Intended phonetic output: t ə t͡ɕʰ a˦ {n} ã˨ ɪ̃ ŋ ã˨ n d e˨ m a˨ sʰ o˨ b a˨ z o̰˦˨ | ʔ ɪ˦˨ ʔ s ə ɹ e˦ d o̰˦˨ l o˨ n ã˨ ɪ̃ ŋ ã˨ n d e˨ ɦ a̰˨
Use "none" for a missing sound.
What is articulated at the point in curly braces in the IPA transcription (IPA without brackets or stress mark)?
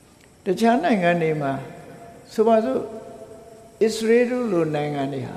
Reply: n